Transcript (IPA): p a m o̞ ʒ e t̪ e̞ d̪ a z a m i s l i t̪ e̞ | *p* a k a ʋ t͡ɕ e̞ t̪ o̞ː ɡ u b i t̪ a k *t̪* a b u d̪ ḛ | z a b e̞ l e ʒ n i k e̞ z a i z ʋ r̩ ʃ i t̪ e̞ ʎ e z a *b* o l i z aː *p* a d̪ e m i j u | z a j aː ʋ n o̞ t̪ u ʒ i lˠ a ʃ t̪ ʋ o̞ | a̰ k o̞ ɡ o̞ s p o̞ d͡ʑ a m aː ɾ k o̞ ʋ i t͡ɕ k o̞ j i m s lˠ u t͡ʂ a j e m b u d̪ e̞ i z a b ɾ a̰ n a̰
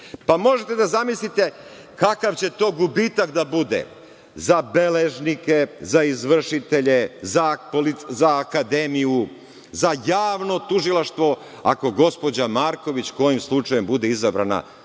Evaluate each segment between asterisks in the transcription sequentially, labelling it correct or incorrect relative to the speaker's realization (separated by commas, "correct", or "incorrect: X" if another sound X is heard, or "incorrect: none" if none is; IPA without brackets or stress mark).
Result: incorrect: k, incorrect: d̪, incorrect: p, incorrect: k